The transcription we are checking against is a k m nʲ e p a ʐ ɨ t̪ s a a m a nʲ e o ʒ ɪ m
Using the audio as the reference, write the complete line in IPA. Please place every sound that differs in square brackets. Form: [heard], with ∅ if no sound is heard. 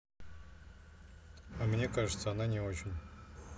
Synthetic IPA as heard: a [∅] m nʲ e [k] a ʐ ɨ t̪ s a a [n] a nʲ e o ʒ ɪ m